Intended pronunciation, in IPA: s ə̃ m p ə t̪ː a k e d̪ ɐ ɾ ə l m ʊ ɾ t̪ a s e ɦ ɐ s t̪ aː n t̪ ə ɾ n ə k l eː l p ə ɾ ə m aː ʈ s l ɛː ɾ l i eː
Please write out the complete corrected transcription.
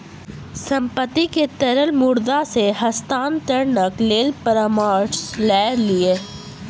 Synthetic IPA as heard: s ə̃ m p ə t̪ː i k e t̪ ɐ ɾ ə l m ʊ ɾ d̪ a s e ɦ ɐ s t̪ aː n t̪ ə ɾ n ə k l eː l p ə ɾ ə m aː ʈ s l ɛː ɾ l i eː